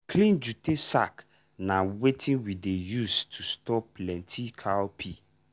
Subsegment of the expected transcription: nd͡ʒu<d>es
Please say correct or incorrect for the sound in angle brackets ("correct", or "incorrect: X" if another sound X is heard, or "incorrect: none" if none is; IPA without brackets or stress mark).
incorrect: t